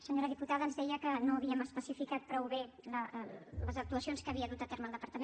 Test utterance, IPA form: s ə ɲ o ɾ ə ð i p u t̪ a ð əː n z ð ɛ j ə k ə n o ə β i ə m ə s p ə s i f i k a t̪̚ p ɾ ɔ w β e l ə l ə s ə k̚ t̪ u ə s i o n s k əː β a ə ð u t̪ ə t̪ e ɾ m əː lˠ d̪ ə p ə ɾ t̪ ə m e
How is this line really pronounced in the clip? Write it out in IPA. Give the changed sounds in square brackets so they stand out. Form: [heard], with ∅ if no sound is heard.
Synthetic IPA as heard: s ə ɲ o ɾ ə ð i p u t̪ a ð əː n z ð ɛ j ə k ə n o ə β i ə m ə s p ə s i f i k a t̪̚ p ɾ ɔ w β e l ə l ə [z] ə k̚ t̪ u ə s i o n s k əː β [i] ə ð u t̪ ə t̪ e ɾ m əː lˠ d̪ ə p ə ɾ t̪ ə m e